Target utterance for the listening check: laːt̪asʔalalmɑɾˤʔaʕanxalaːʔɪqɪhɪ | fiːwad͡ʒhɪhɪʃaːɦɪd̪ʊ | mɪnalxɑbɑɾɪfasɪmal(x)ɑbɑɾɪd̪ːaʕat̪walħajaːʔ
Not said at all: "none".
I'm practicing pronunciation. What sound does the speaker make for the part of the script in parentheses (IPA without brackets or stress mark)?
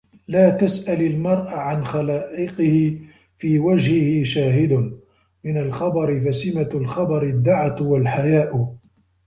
x